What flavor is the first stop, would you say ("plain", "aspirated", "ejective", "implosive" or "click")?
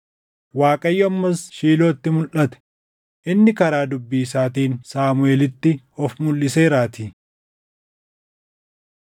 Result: ejective